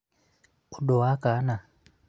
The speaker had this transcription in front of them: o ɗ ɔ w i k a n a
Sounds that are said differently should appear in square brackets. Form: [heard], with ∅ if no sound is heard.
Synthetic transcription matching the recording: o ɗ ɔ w [a] k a n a